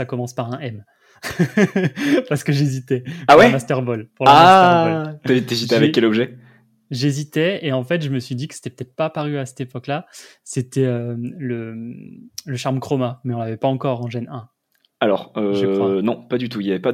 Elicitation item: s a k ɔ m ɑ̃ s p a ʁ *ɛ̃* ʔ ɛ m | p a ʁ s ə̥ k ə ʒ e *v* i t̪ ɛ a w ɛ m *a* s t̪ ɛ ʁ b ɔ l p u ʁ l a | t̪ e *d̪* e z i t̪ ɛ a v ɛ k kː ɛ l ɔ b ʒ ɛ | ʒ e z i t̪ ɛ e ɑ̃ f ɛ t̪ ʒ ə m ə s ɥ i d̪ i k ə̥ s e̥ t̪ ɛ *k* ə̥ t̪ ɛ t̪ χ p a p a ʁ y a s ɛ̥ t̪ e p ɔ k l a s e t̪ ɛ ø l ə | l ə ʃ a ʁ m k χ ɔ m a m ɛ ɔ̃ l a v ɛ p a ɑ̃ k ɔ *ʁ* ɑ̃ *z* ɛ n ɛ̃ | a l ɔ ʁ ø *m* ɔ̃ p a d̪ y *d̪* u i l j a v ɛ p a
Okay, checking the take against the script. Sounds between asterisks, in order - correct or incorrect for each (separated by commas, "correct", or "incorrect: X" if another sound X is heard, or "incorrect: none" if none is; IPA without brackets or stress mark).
correct, incorrect: z, correct, incorrect: t̪, incorrect: p, correct, incorrect: ʒ, incorrect: n, incorrect: t̪